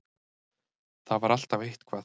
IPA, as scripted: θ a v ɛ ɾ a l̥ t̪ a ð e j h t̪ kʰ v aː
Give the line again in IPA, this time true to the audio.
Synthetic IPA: θ a v a ɾ a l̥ t̪ a v e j h t̪ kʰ v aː